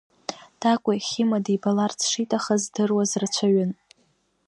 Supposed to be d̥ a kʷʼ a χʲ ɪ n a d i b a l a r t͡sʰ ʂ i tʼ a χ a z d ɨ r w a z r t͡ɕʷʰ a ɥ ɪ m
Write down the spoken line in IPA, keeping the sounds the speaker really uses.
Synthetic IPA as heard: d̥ a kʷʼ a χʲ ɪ m a d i b a l a r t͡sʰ ʂ i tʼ a χ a z d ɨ r w a z r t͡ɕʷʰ a ɥ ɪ n